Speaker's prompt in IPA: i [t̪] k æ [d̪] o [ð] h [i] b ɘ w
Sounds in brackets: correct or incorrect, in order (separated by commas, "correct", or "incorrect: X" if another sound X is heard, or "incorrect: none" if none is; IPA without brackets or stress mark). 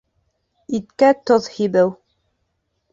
correct, incorrect: t̪, correct, correct